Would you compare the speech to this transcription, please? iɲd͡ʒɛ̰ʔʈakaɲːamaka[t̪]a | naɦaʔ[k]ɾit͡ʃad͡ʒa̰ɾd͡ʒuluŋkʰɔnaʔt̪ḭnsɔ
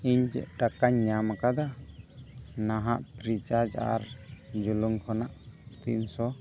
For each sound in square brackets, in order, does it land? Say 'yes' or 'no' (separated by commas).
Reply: no, no